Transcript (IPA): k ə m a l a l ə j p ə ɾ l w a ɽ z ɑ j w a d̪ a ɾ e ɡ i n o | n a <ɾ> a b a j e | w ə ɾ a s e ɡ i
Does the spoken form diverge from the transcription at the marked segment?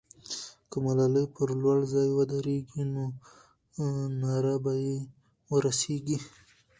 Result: no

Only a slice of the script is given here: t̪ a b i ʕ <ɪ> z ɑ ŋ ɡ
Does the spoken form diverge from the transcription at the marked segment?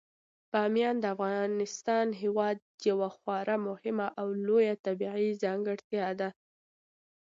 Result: yes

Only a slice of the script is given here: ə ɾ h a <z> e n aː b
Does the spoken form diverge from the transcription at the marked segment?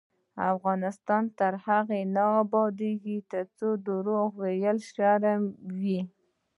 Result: yes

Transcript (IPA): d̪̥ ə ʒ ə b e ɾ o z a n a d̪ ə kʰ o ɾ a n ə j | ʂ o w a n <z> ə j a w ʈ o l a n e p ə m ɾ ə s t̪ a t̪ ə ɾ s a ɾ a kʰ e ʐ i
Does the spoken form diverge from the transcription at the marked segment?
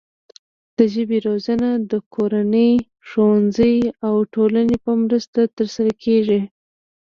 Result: no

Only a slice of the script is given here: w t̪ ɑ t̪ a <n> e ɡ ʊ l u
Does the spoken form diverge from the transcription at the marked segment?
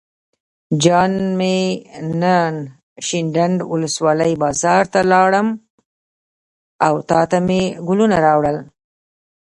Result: yes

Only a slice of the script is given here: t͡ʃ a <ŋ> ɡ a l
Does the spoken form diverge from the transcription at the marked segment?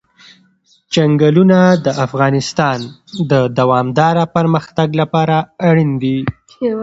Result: no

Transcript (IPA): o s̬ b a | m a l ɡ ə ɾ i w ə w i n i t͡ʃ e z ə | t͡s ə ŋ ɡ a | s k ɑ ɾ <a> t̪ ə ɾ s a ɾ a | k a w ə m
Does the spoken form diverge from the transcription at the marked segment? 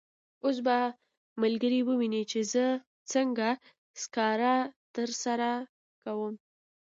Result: no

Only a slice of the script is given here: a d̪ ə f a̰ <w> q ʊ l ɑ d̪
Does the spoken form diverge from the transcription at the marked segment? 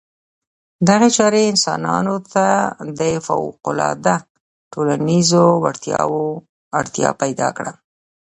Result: no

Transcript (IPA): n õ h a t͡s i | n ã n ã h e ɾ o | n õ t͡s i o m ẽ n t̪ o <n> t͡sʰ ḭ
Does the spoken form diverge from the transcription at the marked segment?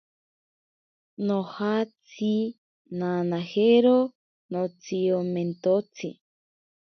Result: yes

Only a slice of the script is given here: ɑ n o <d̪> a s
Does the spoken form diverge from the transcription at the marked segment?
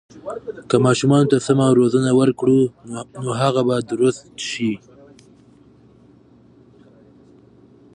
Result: yes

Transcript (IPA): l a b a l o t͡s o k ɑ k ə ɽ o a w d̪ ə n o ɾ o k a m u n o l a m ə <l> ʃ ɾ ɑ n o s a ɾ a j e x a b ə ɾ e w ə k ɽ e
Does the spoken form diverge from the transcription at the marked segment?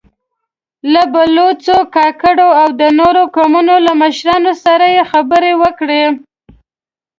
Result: yes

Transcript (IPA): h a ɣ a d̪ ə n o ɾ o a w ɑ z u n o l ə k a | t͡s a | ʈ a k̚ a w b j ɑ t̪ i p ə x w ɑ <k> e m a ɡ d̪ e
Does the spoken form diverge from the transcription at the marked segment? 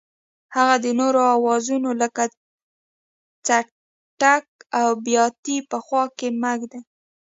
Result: no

